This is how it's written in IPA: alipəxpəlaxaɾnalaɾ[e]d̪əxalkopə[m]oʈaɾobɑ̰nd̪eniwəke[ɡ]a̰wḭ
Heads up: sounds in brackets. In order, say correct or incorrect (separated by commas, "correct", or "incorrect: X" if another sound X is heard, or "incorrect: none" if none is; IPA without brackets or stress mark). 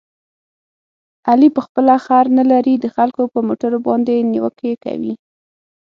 incorrect: i, correct, incorrect: k